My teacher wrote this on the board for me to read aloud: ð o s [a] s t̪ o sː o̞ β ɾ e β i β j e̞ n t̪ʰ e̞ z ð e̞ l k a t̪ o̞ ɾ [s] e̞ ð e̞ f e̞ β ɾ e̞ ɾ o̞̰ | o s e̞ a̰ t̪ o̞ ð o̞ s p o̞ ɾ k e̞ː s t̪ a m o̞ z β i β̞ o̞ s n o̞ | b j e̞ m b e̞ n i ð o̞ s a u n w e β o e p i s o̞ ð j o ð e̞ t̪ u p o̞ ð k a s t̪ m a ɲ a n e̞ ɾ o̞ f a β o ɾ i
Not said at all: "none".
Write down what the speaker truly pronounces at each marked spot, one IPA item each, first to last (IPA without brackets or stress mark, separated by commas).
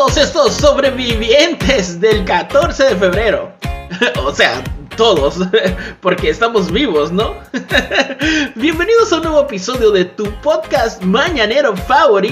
e, s